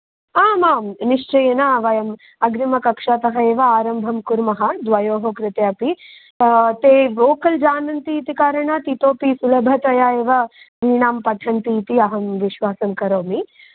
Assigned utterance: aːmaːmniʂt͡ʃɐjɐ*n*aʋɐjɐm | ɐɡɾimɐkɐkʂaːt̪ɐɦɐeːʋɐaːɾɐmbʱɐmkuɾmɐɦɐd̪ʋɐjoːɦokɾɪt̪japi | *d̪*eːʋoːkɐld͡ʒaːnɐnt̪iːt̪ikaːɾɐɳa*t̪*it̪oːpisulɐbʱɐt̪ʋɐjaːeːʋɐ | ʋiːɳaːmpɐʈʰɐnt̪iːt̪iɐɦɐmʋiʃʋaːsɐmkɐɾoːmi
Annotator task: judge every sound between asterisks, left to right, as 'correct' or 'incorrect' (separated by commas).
correct, incorrect, correct